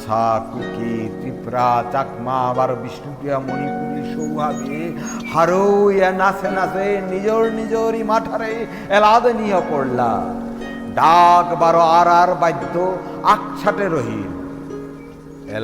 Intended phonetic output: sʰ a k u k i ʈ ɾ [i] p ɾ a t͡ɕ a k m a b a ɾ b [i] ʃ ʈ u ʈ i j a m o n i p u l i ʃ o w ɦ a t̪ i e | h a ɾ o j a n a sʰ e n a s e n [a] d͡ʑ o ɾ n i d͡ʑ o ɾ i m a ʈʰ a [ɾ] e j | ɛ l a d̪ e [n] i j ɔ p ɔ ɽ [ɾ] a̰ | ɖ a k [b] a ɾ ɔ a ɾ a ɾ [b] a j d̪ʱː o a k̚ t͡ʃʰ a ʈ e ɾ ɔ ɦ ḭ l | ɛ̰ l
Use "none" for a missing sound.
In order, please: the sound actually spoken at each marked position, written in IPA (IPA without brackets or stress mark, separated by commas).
i, i, i, ɾ, n, l, b, b